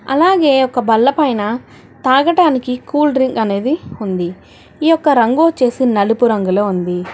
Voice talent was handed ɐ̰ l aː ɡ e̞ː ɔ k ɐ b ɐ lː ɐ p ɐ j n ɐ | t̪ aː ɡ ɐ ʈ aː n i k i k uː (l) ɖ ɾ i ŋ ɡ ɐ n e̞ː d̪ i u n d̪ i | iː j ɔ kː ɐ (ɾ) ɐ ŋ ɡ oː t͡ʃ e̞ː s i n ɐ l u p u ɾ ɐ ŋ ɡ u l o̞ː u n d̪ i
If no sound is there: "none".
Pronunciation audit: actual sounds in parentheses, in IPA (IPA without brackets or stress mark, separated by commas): l, ɾ